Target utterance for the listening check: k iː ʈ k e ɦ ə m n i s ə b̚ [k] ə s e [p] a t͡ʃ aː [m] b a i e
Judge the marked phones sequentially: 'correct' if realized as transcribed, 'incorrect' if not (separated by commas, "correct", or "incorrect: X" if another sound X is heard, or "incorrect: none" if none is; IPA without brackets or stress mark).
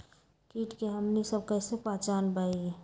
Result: correct, correct, incorrect: n